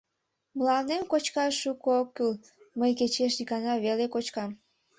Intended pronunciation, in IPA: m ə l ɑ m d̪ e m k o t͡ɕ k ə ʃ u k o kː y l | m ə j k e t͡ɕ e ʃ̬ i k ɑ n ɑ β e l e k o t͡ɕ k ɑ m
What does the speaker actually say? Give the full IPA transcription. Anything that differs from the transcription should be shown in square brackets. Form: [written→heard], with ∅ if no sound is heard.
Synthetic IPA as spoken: m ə l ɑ [m→n] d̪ e m k o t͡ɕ k [ə→ɑ] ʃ u k o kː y l | m ə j k e t͡ɕ e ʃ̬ i k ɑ n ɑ β e l e k o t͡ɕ k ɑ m